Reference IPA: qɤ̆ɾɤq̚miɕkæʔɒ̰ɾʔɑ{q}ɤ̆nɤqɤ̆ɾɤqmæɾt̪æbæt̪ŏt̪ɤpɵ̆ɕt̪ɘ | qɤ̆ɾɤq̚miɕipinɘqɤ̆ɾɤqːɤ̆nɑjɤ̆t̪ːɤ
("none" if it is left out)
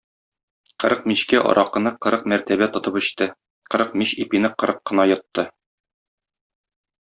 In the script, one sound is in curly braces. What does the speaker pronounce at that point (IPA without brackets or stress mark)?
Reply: q